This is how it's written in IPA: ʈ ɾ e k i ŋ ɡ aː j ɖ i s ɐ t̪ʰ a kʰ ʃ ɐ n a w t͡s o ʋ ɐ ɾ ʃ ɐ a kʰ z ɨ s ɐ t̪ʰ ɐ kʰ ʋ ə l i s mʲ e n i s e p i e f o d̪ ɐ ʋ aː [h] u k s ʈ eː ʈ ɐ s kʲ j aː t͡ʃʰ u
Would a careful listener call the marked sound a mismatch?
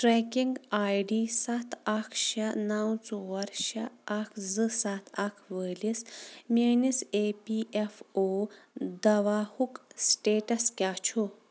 no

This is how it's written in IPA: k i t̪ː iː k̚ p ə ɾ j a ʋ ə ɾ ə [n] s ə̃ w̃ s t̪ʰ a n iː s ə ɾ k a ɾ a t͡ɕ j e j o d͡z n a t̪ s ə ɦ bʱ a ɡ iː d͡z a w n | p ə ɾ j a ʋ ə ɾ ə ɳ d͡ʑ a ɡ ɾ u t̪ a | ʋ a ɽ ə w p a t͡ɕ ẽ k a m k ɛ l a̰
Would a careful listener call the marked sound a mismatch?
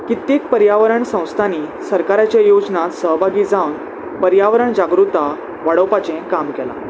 yes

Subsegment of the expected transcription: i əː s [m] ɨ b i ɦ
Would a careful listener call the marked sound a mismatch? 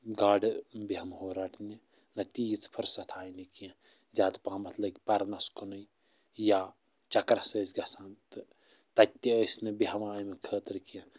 yes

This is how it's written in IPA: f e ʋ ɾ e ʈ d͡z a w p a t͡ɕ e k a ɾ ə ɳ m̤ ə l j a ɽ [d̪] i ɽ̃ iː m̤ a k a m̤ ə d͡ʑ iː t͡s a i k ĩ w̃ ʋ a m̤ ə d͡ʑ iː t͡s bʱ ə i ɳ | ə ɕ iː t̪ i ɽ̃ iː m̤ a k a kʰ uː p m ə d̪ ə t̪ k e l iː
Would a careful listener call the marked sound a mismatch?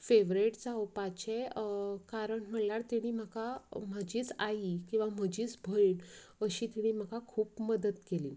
yes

